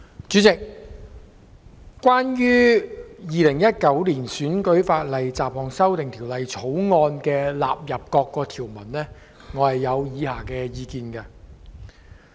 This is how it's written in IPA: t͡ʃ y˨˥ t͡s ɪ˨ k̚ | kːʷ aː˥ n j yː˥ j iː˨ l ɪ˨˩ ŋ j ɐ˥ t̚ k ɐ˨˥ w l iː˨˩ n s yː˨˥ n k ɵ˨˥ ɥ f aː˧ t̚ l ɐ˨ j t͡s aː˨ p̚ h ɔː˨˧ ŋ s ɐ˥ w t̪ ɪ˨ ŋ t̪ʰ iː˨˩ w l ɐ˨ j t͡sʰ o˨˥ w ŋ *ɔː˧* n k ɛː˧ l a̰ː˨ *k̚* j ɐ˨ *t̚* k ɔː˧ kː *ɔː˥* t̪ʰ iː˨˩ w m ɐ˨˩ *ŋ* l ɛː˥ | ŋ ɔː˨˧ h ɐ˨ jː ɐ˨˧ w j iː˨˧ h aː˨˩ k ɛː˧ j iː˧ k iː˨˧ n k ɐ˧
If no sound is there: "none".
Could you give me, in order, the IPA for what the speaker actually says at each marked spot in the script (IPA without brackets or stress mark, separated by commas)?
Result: ɔː˧, p̚, p̚, ɔː˧, n